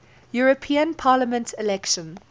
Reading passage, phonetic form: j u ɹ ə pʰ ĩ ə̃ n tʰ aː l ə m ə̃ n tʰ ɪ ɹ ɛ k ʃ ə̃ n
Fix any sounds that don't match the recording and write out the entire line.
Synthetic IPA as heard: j u ɹ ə pʰ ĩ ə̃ n pʰ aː l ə m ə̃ n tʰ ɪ l ɛ k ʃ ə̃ n

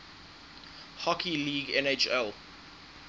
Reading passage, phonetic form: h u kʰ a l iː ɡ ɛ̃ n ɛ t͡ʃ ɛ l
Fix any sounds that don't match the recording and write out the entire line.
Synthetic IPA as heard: h ɔ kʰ i l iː ɡ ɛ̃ n e t͡ʃ ɛ l

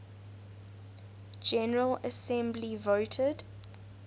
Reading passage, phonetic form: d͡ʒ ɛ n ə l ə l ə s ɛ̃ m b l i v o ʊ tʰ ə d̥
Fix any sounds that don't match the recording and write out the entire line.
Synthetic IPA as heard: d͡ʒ ɛ n ə ɹ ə l ə s ɛ̃ m b l i v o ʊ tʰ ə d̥

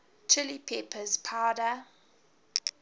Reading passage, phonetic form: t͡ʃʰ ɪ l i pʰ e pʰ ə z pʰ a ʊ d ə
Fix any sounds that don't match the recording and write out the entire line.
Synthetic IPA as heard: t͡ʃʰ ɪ l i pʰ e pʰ ə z pʰ a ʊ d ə

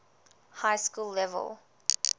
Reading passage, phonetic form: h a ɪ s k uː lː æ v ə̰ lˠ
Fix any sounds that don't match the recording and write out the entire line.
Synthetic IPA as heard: h a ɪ s k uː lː ɛ v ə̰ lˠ

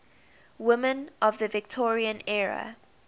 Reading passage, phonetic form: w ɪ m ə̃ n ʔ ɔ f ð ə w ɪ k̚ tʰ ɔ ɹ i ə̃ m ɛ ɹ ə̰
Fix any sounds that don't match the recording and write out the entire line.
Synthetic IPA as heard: w ɪ m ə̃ n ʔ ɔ v ð ə v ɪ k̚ tʰ ɔ ɹ i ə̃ n ɛ ɹ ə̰

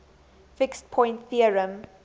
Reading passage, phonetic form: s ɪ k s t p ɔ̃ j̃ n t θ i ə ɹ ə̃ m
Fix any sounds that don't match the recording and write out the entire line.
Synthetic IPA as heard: f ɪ k s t pʰ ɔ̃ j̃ n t θ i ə ɹ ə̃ m

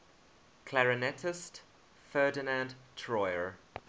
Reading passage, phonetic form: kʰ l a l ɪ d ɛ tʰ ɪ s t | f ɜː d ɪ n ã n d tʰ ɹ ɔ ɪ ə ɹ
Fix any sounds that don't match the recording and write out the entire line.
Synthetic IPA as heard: kʰ l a ɹ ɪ n ɛ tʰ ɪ s t | f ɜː d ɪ n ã n d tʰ ɹ ɔ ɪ ə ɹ

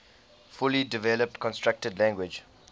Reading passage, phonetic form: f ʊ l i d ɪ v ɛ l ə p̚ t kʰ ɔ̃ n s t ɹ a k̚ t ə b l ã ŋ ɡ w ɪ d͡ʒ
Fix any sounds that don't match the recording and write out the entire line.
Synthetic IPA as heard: f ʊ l i d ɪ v ɛ l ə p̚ t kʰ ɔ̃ n s t ɹ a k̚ t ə d l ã ŋ ɡ w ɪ d͡ʒ

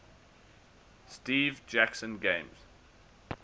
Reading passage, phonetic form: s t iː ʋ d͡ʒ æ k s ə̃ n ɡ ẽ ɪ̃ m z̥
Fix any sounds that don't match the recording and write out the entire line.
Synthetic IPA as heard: s t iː v d͡ʒ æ k s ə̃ n ɡ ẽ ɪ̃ m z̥

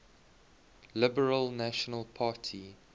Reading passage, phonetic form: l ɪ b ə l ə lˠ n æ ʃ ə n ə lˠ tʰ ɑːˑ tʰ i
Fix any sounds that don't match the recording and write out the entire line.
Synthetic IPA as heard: l ɪ b ə ɹ ə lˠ n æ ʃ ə n ə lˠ pʰ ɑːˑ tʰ i

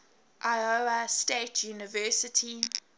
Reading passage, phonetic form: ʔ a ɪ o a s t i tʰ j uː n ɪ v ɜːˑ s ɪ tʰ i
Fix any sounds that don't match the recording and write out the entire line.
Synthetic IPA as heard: ʔ a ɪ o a s t e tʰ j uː n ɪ v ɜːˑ s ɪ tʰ i

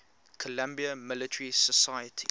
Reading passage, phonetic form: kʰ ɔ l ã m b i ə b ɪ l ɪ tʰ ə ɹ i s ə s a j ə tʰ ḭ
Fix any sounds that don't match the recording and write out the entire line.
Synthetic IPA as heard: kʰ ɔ l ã m b i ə m ɪ l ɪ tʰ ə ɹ i s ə s a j ə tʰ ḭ

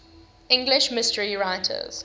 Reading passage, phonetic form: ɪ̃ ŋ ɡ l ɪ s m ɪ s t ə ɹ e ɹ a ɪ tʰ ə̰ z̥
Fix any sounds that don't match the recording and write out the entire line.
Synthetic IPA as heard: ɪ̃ ŋ ɡ l ɪ ʃ m ɪ s t ə ɹ i ɹ a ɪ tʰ ə̰ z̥

